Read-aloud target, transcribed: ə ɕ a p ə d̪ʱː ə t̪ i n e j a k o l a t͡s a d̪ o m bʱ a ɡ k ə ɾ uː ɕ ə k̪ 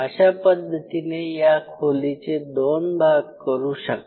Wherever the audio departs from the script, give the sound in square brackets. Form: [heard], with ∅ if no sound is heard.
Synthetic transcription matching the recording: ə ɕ a p ə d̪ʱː ə t̪ i n e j a [kʰ] o l [i] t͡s [e] d̪ o [n] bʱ a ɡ k ə ɾ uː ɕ ə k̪

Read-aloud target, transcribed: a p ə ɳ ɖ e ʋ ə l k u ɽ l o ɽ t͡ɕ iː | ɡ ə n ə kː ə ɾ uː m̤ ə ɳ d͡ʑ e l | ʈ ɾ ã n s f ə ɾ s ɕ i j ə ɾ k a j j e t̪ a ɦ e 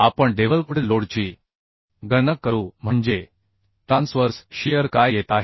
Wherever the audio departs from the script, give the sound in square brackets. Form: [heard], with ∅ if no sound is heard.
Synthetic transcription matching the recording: a p ə ɳ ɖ e ʋ ə l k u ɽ l o ɽ t͡ɕ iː | ɡ ə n ə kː ə ɾ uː m̤ ə ɳ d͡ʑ e [∅] | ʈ ɾ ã n s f ə ɾ s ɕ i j ə ɾ k a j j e t̪ a ɦ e

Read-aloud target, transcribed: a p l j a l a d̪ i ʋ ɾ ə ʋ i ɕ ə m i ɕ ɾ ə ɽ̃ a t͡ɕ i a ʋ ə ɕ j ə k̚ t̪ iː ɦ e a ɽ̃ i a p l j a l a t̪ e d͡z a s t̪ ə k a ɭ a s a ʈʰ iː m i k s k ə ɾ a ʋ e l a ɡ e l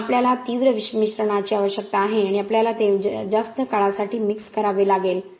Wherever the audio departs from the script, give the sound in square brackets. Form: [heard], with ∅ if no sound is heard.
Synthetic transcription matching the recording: a p l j a l a [t̪] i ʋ ɾ ə ʋ i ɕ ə m i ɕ ɾ ə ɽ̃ a t͡ɕ i a ʋ ə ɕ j ə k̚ t̪ [aː] ɦ e a ɽ̃ i a p l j a l a t̪ e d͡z a s t̪ ə k a ɭ a s a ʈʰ iː m i k s k ə ɾ a ʋ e l a ɡ e l

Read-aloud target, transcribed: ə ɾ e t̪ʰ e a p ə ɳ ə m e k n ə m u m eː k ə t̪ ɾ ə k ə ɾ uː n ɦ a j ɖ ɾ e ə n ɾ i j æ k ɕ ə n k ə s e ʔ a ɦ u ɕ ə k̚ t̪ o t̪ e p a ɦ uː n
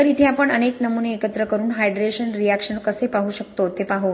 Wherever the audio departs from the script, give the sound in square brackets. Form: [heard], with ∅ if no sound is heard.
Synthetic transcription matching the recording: ə ɾ [i] t̪ʰ e a p ə ɳ ə [n] e k n ə m u [n] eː k ə t̪ ɾ ə k ə ɾ uː n ɦ a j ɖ ɾ e ə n ɾ i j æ k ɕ ə n k ə s e [p] a ɦ u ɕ ə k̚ t̪ o t̪ e p a ɦ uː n

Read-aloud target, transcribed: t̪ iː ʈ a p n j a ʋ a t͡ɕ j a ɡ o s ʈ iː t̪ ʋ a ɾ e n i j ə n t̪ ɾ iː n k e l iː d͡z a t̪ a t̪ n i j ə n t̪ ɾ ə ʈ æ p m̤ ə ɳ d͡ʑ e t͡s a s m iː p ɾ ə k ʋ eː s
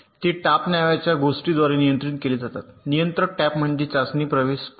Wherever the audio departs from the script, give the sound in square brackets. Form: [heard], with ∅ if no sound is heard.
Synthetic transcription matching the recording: t̪ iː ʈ a p n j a ʋ a t͡ɕ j a ɡ o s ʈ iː [d̪] ʋ a ɾ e n i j ə n t̪ ɾ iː n k e l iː d͡z a t̪ a t̪ n i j ə n t̪ ɾ ə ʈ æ p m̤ ə ɳ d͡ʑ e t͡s a s [n] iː p ɾ ə [∅] ʋ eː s

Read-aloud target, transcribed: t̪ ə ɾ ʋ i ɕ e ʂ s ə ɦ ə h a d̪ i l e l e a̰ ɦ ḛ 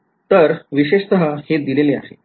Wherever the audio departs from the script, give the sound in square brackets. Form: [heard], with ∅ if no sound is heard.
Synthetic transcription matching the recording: t̪ ə ɾ ʋ i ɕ e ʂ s ə ɦ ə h [e] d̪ i l e l e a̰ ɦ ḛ

